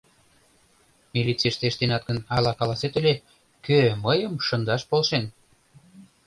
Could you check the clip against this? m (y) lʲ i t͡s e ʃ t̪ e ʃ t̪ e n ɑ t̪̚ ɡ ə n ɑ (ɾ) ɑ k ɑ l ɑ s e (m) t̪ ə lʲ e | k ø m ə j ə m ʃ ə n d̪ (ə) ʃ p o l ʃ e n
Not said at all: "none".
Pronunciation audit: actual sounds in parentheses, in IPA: i, l, none, ɑ

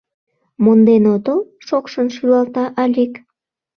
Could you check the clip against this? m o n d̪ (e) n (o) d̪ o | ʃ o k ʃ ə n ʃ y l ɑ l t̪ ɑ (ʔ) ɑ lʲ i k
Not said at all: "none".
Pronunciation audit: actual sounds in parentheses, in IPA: e, o, ʔ

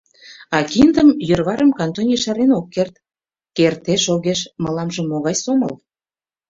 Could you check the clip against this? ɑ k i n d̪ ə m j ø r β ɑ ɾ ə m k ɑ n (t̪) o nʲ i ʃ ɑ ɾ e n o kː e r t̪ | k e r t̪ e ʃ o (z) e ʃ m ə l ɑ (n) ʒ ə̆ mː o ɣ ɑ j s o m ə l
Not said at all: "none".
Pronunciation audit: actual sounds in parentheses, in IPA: t̪, ɣ, m

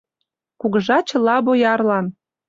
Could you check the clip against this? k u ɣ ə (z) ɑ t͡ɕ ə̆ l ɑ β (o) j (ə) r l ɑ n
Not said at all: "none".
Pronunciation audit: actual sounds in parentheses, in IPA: ʒ, o, ɑ

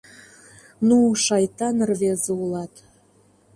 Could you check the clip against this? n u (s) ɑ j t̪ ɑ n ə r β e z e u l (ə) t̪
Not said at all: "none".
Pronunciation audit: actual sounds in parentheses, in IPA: ʃ, ɑ

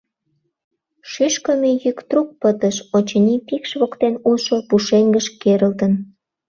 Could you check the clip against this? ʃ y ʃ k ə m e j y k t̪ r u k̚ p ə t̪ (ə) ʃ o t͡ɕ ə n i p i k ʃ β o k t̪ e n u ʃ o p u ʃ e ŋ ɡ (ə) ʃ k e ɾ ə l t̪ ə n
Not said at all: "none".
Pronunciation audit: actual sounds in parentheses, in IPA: ə, ə

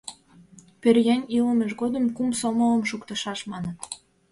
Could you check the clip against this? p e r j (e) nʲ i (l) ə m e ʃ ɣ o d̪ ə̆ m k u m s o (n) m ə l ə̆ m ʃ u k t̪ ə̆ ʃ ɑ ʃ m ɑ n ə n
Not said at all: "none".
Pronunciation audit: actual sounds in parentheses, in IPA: æ, l, none

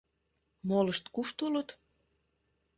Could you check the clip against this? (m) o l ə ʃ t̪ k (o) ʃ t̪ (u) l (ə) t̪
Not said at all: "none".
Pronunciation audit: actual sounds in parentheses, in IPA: m, u, u, ə

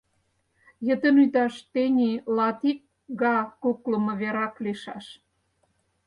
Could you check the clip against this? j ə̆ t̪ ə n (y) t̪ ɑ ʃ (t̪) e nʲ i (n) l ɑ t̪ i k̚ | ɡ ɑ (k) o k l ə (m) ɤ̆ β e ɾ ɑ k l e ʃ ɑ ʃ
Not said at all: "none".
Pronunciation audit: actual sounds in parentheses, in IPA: y, t̪, none, k, m

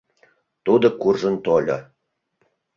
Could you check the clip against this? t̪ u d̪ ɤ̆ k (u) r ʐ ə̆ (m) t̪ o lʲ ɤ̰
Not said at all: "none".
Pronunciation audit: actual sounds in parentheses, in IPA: u, n

